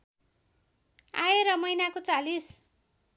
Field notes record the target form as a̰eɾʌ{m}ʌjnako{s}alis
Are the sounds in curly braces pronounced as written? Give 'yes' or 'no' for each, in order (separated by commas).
yes, no